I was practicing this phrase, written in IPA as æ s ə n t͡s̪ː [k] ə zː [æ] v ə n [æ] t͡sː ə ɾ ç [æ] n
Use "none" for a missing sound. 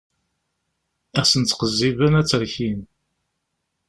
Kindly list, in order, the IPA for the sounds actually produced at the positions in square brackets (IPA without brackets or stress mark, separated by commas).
q, i, æ, i